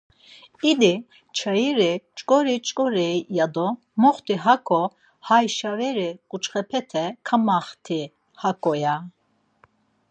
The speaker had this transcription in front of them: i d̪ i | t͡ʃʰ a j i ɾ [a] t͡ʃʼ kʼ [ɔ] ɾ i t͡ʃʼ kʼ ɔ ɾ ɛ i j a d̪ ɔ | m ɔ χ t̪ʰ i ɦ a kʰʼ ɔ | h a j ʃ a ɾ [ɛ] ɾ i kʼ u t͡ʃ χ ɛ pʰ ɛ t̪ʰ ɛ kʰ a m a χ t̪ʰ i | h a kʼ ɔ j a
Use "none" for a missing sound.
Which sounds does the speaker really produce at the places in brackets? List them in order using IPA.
i, ɔ, ɛ

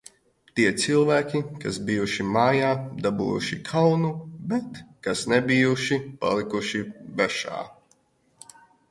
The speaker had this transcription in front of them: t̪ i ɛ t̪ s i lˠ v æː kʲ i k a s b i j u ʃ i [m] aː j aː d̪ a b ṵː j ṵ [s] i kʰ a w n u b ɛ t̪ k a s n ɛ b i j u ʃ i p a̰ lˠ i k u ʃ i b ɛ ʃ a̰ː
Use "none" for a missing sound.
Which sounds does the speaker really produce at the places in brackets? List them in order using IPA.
m, ʃ

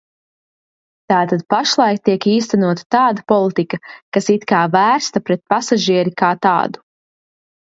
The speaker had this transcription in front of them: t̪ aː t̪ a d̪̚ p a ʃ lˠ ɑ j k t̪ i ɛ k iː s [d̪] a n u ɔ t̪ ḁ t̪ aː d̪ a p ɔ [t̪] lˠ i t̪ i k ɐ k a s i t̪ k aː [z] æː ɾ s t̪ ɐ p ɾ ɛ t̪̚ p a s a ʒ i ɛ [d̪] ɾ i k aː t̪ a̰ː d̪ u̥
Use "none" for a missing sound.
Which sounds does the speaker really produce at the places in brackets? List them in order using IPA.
t̪, none, v, none

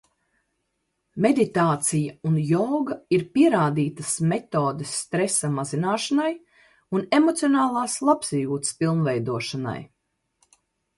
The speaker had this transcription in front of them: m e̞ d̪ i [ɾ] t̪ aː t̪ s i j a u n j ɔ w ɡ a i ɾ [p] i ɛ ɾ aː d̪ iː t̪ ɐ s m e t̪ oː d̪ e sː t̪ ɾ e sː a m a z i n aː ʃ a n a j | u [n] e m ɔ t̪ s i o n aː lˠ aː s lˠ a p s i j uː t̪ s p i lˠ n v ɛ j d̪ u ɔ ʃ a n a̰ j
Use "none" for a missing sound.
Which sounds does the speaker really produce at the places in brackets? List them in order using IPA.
none, p, n

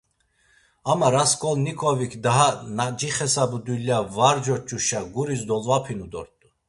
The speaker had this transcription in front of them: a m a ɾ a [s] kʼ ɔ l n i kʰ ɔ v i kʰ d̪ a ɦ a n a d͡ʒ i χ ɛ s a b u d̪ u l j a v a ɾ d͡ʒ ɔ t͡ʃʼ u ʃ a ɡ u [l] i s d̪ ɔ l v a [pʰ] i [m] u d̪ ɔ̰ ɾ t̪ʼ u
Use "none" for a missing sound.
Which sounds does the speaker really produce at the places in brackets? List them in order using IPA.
s, ɾ, pʰ, n

